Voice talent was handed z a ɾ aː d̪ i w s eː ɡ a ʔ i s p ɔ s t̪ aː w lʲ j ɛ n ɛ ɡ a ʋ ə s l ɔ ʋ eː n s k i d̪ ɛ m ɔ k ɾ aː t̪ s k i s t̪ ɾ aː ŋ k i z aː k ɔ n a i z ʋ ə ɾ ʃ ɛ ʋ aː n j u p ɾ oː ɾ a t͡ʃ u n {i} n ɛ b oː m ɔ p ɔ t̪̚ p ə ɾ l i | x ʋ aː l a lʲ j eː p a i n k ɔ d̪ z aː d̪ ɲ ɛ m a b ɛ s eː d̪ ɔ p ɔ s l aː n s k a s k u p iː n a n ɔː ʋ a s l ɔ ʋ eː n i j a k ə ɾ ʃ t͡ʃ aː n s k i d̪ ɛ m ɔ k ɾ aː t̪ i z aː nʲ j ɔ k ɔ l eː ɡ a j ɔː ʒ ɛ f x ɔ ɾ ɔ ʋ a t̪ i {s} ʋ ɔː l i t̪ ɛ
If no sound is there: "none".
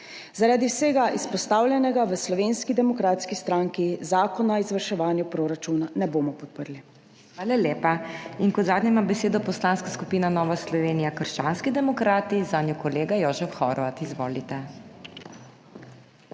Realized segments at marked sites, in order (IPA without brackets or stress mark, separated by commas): a, z